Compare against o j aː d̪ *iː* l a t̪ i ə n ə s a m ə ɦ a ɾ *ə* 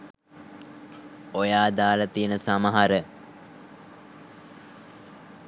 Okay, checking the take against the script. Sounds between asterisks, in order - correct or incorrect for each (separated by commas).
incorrect, correct